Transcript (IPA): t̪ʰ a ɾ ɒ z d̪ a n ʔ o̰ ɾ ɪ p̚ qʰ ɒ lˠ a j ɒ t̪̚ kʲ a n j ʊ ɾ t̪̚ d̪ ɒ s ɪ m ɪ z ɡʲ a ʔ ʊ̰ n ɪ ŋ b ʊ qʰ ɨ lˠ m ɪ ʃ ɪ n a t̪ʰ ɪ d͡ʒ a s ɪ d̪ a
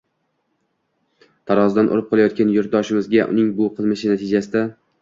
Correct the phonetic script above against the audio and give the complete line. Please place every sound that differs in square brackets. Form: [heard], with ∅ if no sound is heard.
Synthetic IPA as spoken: t̪ʰ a ɾ ɒ z d̪ a n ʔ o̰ ɾ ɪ p̚ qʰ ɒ lˠ a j ɒ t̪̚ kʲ a n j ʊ ɾ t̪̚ d̪ ɒ [ʃ] ɪ m ɪ z ɡʲ a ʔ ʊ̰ n ɪ ŋ b ʊ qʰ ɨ lˠ m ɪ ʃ ɪ n a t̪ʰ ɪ d͡ʒ a s ɪ d̪ a